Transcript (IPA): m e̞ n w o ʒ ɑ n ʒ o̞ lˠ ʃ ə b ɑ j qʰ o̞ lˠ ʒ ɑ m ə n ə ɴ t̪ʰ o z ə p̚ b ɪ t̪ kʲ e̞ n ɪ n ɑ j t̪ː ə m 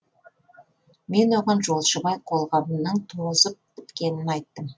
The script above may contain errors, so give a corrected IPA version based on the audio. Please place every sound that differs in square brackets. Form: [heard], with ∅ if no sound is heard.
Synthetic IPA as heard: m e̞ n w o [ʁ] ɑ n ʒ o̞ lˠ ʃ ə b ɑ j qʰ o̞ lˠ [ʁ] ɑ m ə n ə ɴ t̪ʰ o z ə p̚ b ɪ t̪ kʲ e̞ n ɪ n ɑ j t̪ː ə m